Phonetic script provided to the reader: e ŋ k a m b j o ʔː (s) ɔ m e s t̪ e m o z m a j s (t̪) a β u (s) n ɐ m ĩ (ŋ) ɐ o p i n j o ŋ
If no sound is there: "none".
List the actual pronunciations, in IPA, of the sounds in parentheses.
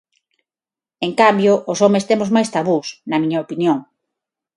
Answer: s, t̪, s, ɲ

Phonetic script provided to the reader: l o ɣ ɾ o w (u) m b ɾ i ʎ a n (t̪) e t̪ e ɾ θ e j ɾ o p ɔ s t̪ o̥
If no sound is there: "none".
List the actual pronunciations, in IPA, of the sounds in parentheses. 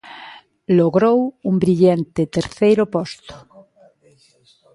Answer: u, t̪

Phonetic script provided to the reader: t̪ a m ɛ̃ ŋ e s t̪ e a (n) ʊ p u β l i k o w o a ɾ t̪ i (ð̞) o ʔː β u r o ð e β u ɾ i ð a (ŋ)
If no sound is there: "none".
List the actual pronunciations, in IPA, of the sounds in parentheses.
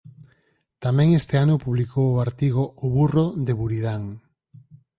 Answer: n, ɣ̞, ŋ

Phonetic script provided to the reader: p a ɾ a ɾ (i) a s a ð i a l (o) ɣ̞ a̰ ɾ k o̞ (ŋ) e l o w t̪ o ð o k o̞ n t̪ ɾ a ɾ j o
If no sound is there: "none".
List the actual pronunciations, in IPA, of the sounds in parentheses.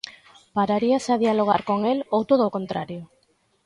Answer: i, o, ŋ

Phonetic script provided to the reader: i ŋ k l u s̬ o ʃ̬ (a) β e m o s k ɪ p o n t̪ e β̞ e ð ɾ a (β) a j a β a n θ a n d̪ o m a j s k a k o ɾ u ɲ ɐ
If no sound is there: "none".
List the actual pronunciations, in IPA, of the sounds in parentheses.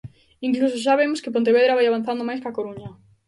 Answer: a, β

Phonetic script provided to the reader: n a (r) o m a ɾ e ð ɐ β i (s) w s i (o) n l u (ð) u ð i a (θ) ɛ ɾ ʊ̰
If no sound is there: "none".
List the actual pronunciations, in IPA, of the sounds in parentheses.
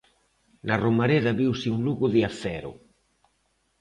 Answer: r, none, u, ɣ, θ

